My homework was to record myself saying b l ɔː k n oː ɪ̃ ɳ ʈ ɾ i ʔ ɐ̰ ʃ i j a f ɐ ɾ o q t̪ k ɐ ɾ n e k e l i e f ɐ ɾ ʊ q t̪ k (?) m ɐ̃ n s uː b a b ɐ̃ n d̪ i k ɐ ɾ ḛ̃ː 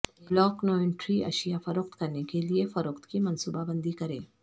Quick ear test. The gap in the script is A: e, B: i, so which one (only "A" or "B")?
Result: B